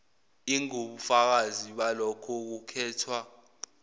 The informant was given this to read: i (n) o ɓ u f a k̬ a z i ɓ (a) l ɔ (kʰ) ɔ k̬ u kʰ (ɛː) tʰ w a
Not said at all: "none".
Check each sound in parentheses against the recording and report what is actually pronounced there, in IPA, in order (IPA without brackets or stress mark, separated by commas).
ŋ, a, kʰ, ɛː